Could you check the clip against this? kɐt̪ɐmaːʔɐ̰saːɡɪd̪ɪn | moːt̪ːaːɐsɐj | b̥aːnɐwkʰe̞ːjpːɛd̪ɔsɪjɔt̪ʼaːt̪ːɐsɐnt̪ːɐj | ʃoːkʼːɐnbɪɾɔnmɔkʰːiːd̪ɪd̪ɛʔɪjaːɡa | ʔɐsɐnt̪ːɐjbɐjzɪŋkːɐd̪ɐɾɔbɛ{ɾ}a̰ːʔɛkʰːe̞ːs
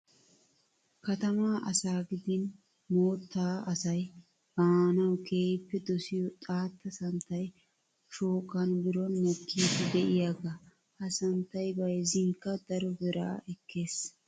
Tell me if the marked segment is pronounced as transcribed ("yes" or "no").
yes